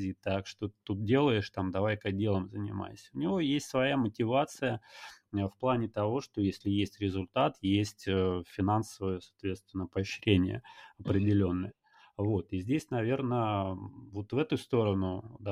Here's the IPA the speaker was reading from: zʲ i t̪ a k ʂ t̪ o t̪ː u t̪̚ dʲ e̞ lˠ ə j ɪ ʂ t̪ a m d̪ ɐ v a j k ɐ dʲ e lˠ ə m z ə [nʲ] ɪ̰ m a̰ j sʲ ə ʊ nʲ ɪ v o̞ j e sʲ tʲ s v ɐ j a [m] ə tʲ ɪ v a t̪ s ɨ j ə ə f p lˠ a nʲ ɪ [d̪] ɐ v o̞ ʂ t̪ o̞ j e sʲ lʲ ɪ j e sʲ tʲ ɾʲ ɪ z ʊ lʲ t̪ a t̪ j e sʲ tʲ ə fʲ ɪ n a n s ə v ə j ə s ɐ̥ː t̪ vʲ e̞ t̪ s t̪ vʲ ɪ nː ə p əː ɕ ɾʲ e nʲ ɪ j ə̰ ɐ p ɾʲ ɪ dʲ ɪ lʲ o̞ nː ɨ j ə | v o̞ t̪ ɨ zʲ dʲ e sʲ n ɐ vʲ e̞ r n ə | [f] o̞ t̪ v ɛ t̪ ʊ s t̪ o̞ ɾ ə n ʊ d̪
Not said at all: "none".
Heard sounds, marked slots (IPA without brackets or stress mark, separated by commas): nʲ, m, t̪, v